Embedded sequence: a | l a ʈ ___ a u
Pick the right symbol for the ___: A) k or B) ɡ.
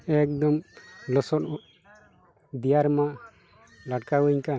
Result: A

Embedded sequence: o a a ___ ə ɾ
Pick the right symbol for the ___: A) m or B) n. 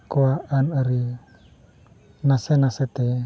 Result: B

